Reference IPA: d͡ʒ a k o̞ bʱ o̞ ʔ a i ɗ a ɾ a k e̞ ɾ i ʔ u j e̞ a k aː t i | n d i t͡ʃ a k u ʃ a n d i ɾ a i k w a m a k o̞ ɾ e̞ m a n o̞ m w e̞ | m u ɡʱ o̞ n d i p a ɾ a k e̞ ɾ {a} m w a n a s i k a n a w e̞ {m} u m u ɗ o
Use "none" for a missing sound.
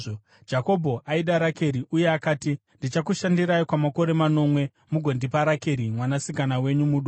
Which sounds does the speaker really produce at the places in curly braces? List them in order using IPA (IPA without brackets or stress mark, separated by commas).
i, ɲ